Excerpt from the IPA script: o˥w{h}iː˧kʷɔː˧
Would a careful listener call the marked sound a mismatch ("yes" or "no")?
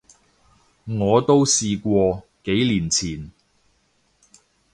yes